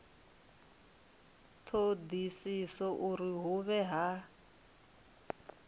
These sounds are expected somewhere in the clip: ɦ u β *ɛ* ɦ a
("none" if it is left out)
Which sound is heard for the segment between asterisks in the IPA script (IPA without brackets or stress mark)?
ɛ